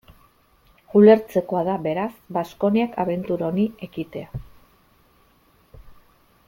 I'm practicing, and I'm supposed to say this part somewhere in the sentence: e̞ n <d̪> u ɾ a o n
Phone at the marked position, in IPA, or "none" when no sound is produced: t̪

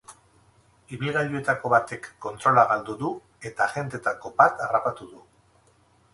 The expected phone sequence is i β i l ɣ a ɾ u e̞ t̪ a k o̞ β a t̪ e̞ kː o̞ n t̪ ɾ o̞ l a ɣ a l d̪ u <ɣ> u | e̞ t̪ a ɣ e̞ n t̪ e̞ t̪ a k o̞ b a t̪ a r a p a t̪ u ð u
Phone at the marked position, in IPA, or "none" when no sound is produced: ð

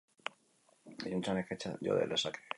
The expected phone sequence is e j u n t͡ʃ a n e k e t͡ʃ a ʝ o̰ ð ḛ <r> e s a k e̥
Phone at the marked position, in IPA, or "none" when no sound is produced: l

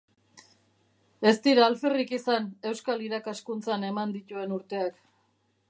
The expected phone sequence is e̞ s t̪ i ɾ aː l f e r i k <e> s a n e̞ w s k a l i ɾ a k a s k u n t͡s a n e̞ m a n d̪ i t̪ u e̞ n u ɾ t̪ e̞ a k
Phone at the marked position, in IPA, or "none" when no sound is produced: i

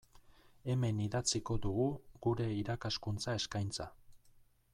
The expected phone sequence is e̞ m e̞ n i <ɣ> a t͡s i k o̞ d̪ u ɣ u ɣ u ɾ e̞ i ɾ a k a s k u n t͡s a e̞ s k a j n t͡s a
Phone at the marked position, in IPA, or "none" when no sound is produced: ð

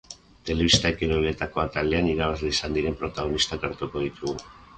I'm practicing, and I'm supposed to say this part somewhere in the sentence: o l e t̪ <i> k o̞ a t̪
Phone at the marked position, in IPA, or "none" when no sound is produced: a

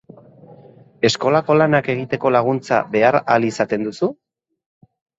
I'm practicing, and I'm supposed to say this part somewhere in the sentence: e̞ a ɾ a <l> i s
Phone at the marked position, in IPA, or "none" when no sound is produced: l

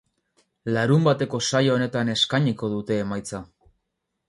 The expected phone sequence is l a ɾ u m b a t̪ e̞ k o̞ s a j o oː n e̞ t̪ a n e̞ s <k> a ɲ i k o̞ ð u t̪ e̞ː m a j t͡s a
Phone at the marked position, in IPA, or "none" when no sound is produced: k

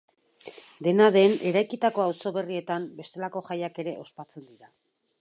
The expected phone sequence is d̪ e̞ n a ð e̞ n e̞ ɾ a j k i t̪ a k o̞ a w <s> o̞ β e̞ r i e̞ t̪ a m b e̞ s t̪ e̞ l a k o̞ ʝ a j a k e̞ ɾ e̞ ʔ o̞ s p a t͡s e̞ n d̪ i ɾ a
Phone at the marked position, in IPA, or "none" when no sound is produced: s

